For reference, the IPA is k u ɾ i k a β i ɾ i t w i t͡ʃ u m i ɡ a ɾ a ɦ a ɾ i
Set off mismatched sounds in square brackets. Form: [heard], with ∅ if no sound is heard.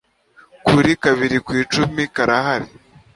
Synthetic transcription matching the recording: k u ɾ i k a β i ɾ i [k] w [iː] t͡ʃ u m i [k] a ɾ a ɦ a ɾ i